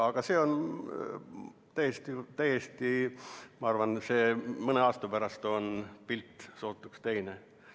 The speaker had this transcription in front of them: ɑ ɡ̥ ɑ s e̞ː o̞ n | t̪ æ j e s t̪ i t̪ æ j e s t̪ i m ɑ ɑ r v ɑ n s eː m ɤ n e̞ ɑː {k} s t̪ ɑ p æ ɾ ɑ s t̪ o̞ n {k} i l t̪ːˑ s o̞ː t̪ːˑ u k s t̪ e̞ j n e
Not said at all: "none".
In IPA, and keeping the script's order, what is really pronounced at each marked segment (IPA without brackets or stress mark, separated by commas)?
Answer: none, p